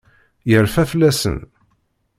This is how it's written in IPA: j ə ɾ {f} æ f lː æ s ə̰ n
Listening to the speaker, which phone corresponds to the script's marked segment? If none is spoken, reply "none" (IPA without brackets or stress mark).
f